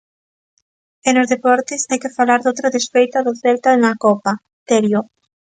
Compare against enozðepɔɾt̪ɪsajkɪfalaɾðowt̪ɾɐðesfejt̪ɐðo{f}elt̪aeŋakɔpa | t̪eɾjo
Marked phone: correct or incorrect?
incorrect